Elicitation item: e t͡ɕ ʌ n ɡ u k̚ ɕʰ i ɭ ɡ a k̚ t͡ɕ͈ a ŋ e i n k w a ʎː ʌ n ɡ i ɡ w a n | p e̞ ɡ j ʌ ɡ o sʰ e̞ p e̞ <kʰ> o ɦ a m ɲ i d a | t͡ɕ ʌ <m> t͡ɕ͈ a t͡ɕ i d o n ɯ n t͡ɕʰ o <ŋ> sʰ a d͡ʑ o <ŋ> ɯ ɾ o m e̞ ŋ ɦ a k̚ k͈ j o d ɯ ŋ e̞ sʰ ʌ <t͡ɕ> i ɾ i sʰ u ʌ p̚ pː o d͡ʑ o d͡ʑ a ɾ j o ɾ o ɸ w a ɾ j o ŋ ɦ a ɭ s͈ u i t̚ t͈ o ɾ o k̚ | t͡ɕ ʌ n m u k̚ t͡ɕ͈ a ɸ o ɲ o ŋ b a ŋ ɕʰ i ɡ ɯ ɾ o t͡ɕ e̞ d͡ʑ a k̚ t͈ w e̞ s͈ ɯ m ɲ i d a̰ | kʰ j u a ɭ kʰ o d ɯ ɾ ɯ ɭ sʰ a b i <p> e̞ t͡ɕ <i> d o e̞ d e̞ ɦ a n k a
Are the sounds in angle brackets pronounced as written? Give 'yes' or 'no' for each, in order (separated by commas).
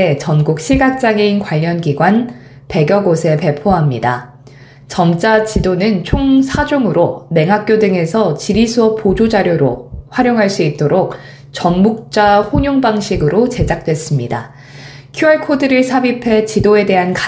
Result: no, yes, yes, yes, yes, no, yes